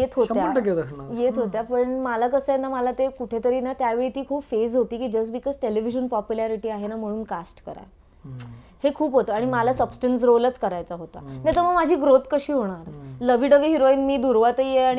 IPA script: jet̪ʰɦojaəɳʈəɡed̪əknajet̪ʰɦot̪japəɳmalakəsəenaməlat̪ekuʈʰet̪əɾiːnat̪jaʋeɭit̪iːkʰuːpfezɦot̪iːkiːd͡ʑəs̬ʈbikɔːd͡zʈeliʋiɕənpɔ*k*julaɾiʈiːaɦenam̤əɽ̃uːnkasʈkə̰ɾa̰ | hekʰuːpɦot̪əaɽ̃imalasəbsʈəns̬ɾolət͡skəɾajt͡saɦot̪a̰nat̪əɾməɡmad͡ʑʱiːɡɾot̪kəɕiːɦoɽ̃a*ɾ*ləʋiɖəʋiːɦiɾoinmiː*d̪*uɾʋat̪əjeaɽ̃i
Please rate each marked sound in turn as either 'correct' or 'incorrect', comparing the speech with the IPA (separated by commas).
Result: incorrect, correct, correct